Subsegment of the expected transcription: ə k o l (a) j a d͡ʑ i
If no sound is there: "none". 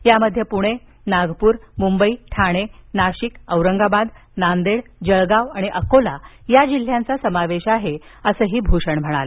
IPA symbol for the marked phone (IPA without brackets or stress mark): a